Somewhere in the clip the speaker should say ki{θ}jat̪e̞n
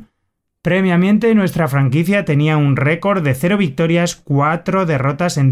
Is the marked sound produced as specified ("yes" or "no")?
yes